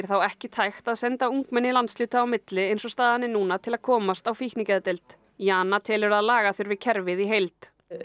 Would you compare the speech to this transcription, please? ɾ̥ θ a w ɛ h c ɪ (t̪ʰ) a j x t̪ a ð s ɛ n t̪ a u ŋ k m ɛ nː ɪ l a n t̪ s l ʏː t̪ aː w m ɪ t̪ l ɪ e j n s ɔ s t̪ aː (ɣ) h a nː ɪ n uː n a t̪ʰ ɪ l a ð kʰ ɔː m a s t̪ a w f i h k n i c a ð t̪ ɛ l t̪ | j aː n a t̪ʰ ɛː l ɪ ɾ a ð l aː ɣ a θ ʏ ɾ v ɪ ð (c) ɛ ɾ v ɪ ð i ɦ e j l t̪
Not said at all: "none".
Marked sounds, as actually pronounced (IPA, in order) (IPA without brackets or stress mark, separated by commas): t̪ʰ, ð, cʰ